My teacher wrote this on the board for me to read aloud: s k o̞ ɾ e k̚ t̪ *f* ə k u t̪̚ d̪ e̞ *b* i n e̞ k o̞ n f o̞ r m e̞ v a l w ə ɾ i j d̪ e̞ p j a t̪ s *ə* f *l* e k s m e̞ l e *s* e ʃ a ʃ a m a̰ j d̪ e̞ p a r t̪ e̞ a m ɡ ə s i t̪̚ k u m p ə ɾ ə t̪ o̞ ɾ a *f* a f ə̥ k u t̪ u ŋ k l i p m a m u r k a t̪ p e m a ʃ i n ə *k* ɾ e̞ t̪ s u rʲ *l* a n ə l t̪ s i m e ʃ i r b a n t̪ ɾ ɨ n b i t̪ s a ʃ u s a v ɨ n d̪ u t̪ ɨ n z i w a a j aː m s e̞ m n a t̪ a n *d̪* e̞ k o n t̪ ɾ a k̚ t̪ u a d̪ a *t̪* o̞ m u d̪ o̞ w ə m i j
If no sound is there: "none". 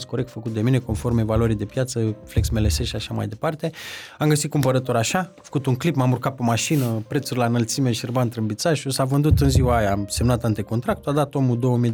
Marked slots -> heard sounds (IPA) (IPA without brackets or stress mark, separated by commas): f, m, ə, l, s, ʃ, p, l, t̪, t̪